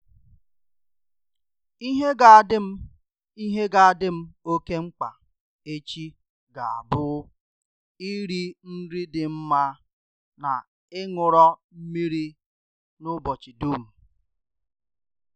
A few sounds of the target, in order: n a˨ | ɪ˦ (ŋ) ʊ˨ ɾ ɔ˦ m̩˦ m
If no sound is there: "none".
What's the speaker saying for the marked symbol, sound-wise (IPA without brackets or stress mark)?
ŋ